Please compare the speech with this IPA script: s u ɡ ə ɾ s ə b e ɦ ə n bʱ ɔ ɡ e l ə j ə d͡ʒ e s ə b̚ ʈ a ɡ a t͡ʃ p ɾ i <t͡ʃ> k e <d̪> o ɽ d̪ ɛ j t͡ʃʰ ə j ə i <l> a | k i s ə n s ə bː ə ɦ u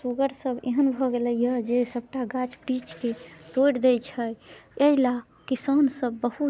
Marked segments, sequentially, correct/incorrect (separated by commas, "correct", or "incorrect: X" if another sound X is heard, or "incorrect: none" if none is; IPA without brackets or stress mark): correct, incorrect: t̪, correct